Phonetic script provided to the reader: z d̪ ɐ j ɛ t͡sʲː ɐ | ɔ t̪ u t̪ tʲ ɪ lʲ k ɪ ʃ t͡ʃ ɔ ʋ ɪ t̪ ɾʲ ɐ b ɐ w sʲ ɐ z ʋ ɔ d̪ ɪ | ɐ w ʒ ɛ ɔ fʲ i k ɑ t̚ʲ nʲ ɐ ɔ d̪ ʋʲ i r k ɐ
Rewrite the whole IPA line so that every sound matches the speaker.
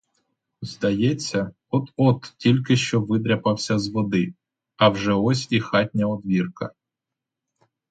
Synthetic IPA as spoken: z d̪ ɐ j ɛ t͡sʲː ɐ | ɔ t̪ ɔ t̪ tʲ i lʲ k ɪ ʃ t͡ʃ ɔ ʋ ɪ d̪ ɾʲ ɐ p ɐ w sʲ ɐ z ʋ ɔ d̪ ɪ | ɐ w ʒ ɛ ɔ sʲ i x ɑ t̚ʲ nʲ ɐ ɔ d̪ ʋʲ i r k ɐ